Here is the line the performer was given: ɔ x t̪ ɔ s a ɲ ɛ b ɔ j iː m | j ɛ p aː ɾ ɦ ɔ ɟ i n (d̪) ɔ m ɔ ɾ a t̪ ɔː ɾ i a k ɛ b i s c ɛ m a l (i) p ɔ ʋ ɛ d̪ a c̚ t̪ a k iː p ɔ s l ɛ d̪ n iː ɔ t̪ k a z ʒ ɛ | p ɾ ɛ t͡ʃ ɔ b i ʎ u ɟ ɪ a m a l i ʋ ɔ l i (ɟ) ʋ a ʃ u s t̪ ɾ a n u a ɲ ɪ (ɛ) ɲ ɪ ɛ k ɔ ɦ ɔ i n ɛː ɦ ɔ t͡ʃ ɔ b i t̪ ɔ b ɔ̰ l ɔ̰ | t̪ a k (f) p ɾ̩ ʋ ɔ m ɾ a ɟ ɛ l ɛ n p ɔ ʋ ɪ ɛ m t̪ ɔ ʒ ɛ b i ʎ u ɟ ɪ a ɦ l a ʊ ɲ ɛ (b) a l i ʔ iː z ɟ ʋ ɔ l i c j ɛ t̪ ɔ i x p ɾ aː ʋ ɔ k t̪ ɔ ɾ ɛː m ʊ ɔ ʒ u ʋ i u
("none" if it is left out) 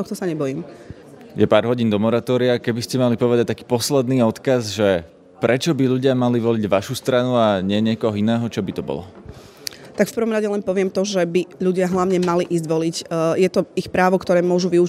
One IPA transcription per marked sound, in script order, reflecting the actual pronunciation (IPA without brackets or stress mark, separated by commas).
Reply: d̪, i, ɟ, ɛ, f, m